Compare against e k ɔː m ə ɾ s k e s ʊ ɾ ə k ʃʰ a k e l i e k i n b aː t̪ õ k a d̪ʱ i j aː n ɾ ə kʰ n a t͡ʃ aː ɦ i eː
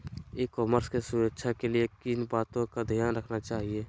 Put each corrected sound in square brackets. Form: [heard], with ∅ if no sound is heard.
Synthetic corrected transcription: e k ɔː m ə ɾ s k e s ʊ ɾ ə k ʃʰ a k e l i e k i n b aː t̪ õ k a d̪ʱ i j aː n ɾ ə kʰ n a t͡ʃ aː ɦ i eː